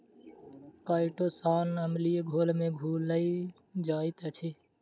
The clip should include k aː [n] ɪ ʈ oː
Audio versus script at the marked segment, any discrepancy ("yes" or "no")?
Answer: yes